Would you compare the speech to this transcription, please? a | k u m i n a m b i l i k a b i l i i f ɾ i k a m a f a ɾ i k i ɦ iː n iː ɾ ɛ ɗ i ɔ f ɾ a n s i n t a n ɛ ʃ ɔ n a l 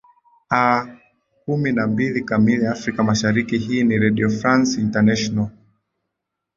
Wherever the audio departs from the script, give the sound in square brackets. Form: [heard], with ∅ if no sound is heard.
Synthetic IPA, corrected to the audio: a | k u m i n a m b i l i k a [m] i l i [a] f ɾ i k a m a [ʃ] a ɾ i k i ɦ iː n [i] ɾ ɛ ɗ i ɔ f ɾ a n s i n t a n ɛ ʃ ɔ n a l